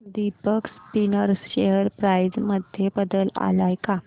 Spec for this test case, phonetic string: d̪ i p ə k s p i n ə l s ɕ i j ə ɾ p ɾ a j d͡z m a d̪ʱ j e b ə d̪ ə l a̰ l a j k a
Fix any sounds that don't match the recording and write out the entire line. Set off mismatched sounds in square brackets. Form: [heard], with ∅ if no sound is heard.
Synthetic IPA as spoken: d̪ i p ə k s p i n ə [ɾ] s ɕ [e] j ə ɾ p ɾ a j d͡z m [ə] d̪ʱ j e b ə d̪ ə l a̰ l a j k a